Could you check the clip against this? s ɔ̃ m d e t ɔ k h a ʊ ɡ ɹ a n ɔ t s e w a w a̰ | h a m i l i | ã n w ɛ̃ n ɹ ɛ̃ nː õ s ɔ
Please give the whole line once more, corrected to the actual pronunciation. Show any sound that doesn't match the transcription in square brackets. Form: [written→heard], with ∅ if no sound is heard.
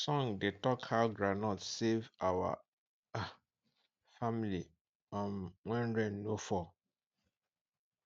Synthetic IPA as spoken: s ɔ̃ [m→ŋ] d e t ɔ k h a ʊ ɡ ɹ a n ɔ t s e [w→v] a w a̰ | [h→f] a m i l i | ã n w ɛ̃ n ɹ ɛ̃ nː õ [s→f] ɔ